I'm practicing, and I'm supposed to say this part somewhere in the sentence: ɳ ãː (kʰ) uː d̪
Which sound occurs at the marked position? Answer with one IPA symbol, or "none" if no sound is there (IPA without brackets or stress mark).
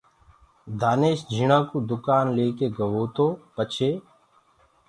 k